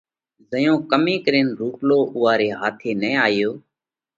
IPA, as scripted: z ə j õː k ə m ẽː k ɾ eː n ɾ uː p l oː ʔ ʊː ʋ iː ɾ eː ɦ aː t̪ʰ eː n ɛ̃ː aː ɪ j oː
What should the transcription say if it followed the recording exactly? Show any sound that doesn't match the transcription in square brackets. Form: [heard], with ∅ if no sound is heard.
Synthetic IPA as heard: z ə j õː k ə m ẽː k ɾ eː n ɾ uː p l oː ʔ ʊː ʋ [aː] ɾ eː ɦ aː t̪ʰ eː n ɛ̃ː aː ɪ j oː